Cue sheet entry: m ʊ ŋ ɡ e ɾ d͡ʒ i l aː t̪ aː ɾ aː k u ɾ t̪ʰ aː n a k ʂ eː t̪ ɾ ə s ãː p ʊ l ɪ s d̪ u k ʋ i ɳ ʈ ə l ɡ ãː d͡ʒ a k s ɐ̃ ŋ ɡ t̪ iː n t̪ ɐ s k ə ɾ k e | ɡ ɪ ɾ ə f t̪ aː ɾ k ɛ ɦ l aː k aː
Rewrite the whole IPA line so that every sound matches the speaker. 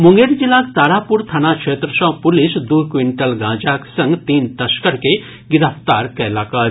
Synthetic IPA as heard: m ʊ ŋ ɡ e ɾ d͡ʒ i l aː t̪ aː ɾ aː p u ɾ t̪ʰ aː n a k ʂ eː t̪ ɾ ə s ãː p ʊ l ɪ s d̪ u k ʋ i ɳ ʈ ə l ɡ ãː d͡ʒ a k s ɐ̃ ŋ ɡ t̪ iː n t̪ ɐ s k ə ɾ k e | ɡ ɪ ɾ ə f t̪ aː ɾ k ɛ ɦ l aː k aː